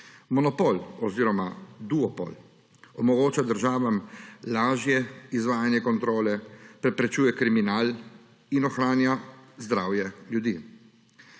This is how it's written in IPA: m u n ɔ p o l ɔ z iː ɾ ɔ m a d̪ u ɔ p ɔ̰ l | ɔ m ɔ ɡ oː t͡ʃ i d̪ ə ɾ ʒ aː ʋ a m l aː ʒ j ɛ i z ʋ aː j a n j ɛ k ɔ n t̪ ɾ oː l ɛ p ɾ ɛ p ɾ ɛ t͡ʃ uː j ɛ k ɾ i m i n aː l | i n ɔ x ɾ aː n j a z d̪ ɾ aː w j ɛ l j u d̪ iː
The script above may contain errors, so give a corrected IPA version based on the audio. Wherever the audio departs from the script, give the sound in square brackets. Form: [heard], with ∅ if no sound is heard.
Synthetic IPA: m [ɔ] n ɔ p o l ɔ z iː ɾ ɔ m a d̪ u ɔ p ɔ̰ l | ɔ m ɔ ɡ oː t͡ʃ [a] d̪ ə ɾ ʒ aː ʋ a m l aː ʒ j ɛ i z ʋ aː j a n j ɛ k ɔ n t̪ ɾ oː l ɛ p ɾ ɛ p ɾ ɛ t͡ʃ uː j ɛ k ɾ i m i n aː l | i n ɔ x ɾ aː n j a z d̪ ɾ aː w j ɛ l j u d̪ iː